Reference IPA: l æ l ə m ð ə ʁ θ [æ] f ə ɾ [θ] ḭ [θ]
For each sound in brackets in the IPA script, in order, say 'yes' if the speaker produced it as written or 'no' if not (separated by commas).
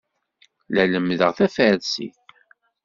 yes, no, yes